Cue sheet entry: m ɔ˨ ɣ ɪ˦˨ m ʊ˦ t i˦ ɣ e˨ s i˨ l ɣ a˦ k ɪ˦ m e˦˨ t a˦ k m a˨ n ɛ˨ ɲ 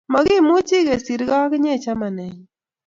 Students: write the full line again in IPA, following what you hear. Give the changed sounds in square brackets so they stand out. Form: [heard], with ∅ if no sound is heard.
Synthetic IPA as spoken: m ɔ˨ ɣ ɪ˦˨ m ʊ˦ [t͡ʃ] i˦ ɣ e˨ s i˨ [ɾ] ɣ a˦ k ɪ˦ [ɲ] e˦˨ [t͡ʃ] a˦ [∅] m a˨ n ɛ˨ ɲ